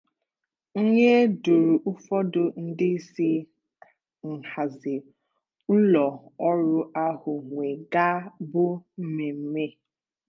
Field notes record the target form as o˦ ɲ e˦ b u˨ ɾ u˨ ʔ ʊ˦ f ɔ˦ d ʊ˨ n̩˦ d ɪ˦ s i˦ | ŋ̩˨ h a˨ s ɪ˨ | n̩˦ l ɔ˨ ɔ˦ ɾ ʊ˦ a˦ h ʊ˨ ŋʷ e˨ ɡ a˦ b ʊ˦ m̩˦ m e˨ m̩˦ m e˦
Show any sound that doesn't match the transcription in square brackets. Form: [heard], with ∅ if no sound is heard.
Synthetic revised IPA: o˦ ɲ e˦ [d] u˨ ɾ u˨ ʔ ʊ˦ f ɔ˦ d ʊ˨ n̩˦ d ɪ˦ s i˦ | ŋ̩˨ h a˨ [z] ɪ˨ | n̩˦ l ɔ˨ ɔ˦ ɾ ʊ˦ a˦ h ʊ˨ ŋʷ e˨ ɡ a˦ b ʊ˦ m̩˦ m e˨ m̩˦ m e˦

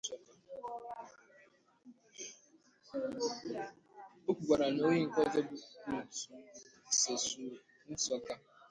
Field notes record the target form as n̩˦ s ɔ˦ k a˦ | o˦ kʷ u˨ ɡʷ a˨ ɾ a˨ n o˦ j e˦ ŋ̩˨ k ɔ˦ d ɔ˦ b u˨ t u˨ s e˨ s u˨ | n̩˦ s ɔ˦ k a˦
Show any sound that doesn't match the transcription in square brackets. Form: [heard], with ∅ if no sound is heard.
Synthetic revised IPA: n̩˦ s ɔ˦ k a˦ | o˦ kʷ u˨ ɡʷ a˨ ɾ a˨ n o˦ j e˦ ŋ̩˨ k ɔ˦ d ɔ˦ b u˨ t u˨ s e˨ s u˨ | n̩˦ s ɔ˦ k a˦

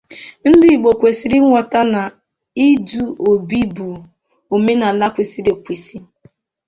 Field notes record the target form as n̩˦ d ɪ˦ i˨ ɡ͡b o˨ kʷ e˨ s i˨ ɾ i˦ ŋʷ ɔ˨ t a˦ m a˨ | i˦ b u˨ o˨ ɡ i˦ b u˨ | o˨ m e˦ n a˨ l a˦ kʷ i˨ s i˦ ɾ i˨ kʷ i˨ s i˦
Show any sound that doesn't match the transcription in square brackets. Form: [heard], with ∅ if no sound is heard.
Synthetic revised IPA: n̩˦ d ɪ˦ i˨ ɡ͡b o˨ kʷ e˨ s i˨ ɾ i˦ ŋʷ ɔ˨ t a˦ [n] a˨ | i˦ [d] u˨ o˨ [b] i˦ b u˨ | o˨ m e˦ n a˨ l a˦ kʷ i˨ s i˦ ɾ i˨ kʷ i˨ s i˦

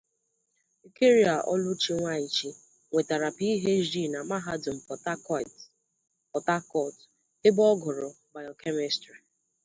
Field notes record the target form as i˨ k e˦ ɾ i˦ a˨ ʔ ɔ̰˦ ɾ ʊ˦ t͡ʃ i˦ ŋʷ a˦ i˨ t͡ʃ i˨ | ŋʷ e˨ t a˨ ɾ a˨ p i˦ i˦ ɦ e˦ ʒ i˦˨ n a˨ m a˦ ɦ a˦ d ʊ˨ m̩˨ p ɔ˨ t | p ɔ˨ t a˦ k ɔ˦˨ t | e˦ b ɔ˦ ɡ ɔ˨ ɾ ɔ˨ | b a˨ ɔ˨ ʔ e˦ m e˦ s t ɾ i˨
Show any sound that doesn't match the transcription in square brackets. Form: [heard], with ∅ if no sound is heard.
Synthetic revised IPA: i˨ k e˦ ɾ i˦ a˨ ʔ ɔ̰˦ [l] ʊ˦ t͡ʃ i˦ ŋʷ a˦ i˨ t͡ʃ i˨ | ŋʷ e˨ t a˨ ɾ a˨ p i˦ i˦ ɦ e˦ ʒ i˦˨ n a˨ m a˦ ɦ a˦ d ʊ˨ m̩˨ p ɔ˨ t | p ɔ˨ t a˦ k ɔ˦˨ t | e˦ b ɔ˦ ɡ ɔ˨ ɾ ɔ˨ | b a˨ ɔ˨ [k] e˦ m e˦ s t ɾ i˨

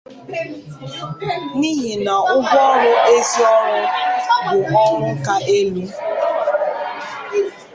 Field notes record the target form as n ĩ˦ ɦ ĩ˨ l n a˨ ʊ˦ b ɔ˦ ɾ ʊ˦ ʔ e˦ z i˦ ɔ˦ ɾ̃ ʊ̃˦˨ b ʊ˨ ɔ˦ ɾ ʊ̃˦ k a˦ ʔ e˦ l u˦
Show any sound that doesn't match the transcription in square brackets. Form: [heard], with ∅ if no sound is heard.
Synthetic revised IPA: n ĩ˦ ɦ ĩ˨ [∅] n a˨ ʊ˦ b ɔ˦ ɾ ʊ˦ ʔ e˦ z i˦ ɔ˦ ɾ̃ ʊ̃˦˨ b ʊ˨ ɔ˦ ɾ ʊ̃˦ k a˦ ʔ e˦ l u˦

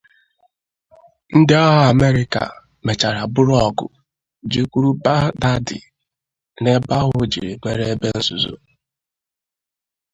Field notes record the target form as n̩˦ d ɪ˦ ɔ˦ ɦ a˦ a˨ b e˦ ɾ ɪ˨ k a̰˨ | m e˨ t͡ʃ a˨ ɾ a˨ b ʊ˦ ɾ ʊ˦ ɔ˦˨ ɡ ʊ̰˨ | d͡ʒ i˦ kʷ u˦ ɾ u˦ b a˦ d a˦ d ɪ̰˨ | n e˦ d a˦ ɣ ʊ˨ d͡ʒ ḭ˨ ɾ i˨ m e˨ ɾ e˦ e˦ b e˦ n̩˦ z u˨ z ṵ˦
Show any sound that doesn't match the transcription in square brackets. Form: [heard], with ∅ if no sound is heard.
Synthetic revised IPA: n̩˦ d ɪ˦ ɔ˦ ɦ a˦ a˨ [m] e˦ ɾ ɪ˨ k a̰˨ | m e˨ t͡ʃ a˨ ɾ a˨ b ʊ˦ ɾ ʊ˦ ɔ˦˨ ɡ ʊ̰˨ | d͡ʒ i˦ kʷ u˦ ɾ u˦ b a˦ d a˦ d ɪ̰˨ | n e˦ [b] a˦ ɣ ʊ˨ d͡ʒ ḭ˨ ɾ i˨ m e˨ ɾ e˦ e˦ b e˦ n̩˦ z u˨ z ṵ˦

